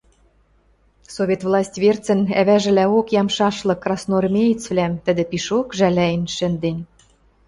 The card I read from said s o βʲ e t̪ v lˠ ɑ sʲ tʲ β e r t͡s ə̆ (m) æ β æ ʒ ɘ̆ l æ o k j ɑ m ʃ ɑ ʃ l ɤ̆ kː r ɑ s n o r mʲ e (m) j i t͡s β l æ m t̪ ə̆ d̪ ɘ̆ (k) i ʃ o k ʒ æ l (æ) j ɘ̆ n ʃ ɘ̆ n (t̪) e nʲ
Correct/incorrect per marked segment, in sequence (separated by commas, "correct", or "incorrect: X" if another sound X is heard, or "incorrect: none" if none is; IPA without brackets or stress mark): incorrect: n, incorrect: none, incorrect: p, correct, incorrect: d̪